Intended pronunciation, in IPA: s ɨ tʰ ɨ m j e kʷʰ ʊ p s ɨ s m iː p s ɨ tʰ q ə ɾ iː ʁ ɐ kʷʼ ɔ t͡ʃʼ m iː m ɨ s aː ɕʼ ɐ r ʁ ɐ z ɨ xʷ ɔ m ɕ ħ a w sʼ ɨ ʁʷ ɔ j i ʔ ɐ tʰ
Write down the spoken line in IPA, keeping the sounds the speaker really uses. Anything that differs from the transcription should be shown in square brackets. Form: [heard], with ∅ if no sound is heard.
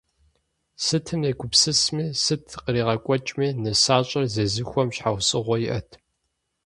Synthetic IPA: s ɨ tʰ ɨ m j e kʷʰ ʊ p s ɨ s m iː [∅] s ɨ tʰ q ə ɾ iː ʁ ɐ kʷʼ ɔ t͡ʃʼ m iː [n] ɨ s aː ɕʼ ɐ r [z] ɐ z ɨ xʷ ɔ m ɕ ħ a w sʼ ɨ ʁʷ ɔ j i ʔ ɐ tʰ